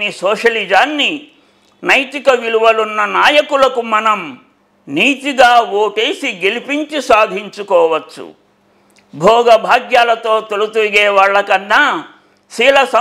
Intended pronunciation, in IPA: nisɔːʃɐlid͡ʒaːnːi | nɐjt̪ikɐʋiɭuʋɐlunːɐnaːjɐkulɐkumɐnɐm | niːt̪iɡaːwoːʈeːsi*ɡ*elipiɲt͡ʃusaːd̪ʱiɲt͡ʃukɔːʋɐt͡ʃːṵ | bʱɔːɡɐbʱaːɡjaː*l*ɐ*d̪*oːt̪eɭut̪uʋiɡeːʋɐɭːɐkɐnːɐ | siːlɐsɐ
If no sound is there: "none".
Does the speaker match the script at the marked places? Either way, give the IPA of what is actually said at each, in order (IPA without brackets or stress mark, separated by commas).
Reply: ɡ, l, t̪